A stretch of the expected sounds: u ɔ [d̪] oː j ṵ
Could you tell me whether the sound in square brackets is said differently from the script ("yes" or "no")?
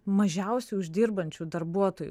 yes